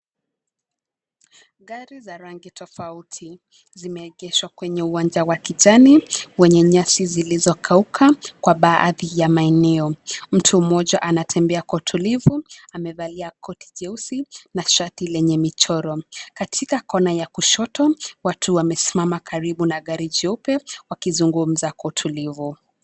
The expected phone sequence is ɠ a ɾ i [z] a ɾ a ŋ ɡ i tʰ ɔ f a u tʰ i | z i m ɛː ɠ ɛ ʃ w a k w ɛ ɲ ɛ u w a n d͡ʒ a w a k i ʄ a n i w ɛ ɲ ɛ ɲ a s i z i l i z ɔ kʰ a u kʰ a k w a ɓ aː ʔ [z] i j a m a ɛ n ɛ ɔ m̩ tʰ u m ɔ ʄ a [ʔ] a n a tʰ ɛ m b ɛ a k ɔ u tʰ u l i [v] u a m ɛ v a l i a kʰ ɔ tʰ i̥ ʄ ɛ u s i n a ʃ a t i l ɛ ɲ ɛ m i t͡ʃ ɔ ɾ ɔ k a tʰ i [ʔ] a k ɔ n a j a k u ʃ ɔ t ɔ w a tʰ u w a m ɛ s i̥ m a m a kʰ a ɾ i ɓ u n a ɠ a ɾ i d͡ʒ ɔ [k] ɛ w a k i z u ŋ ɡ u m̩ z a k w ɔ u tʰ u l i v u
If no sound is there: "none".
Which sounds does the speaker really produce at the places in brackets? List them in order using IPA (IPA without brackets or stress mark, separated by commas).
z, ð, ʔ, v, k, p